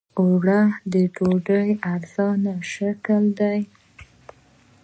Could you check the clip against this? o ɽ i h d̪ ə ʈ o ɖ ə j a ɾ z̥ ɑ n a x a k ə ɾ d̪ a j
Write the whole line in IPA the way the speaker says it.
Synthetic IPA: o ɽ a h d̪ ə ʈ o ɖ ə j a ɾ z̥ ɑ n a ʃ a k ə l d̪ a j